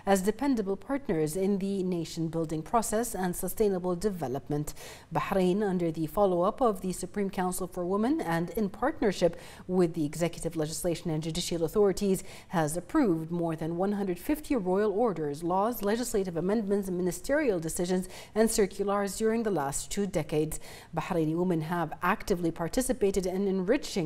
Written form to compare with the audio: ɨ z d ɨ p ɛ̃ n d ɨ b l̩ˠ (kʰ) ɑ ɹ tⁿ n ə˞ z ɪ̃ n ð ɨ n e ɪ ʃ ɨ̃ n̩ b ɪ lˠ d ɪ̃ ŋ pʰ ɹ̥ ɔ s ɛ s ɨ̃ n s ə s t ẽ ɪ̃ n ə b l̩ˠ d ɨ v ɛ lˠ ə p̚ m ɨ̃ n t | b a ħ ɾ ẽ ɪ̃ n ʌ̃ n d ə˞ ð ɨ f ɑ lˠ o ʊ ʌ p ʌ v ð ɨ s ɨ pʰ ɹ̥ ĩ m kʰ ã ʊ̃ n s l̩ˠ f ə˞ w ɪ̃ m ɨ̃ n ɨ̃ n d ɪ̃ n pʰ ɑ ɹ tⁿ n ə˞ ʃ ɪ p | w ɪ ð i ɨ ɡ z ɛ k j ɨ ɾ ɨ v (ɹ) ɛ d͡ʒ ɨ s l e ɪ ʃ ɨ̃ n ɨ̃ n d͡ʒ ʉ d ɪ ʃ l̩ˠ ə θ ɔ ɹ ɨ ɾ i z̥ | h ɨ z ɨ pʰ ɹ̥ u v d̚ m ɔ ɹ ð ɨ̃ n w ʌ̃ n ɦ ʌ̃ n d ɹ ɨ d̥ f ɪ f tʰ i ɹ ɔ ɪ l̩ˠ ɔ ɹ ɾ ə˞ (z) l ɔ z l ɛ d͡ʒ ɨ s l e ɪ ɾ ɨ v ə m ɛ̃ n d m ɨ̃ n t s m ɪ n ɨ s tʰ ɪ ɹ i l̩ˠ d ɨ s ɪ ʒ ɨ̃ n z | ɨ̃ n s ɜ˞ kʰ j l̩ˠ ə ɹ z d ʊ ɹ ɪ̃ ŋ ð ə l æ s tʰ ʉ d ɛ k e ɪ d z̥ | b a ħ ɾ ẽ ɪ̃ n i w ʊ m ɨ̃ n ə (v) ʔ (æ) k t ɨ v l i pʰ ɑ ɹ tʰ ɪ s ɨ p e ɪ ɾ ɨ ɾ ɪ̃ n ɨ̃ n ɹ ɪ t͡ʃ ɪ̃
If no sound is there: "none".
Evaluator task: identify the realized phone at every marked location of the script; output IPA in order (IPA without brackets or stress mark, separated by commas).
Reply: pʰ, l, z, v, æ